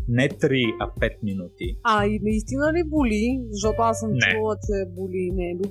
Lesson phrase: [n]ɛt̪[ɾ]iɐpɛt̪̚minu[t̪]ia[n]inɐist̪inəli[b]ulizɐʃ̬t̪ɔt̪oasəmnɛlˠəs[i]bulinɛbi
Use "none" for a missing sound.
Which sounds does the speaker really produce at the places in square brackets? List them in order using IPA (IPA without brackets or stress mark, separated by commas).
n, ɾ, t̪, none, b, ɛ